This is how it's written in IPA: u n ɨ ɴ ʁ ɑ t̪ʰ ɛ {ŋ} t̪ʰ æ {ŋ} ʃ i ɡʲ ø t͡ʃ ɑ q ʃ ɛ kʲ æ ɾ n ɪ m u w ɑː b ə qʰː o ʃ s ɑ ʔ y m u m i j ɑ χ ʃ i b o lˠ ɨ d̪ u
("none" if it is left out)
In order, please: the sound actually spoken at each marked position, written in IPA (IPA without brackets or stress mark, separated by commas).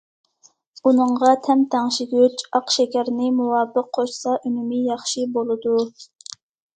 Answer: m, ŋ